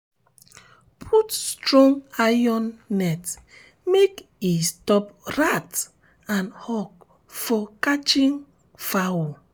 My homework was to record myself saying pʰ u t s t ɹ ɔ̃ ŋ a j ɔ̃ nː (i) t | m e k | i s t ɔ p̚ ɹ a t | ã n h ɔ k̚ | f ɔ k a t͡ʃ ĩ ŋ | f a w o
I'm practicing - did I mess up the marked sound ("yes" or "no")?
yes